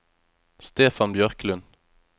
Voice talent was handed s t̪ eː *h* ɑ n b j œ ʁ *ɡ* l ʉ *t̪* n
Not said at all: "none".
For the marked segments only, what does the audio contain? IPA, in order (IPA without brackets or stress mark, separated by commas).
f, k, none